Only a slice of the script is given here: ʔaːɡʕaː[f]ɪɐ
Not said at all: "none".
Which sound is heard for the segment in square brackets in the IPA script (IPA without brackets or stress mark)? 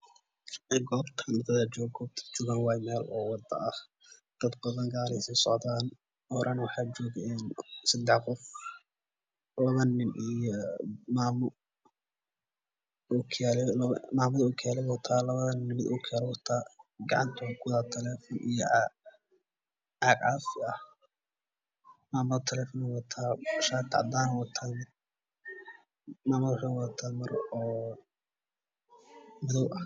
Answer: f